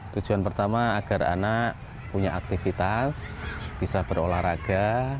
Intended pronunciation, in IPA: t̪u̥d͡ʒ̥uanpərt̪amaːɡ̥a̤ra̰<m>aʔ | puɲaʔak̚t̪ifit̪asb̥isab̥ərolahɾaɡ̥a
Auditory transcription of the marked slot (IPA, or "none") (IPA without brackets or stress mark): n